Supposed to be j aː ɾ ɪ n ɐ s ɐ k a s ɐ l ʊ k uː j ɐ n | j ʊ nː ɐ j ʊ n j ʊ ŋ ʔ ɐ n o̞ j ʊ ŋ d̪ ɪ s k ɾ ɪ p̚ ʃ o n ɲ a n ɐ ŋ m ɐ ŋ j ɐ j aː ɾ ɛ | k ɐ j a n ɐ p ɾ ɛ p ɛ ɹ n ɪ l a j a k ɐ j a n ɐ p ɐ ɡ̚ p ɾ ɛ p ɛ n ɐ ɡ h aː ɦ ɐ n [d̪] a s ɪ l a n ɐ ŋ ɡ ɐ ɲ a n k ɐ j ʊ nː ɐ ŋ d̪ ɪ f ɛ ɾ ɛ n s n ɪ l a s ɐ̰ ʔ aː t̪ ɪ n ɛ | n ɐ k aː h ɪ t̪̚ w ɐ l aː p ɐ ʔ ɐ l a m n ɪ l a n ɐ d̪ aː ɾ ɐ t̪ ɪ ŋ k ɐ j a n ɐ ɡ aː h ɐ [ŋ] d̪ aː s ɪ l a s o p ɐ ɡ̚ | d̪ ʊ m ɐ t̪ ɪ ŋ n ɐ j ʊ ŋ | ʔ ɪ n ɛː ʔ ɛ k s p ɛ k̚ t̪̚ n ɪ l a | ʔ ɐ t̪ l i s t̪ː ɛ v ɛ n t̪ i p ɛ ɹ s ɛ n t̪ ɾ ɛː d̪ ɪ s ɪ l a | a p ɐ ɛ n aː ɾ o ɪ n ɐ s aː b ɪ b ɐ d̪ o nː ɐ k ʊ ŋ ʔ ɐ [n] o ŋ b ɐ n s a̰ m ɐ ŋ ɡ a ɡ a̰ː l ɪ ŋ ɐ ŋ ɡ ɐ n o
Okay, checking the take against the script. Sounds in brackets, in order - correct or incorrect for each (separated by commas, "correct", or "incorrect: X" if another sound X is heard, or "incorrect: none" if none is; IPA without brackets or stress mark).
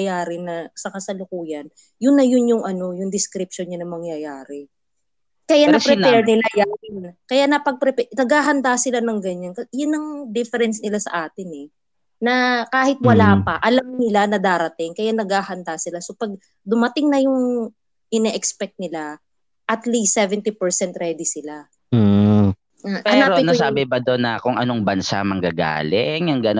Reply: correct, incorrect: n, correct